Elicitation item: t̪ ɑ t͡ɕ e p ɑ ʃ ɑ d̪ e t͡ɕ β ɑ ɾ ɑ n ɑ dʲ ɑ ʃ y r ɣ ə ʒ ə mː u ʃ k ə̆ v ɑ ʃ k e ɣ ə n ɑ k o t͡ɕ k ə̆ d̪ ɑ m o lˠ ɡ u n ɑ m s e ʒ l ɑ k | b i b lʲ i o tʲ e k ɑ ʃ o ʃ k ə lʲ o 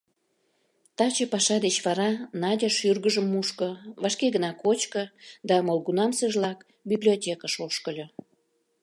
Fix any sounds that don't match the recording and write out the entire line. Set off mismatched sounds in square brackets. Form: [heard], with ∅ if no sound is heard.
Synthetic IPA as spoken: t̪ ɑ t͡ɕ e p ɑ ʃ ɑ d̪ e t͡ɕ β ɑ ɾ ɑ n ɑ dʲ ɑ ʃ y r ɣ ə ʒ ə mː u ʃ k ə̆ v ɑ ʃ k e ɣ ə n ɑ k o t͡ɕ k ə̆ d̪ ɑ m o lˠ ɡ u n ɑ m s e ʒ l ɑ k | b i b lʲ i o tʲ e k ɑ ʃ o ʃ k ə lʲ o